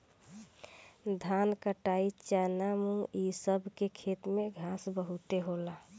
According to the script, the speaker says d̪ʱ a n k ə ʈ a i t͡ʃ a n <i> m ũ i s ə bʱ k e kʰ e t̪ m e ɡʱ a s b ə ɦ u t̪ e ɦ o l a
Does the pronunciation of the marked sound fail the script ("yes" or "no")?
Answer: yes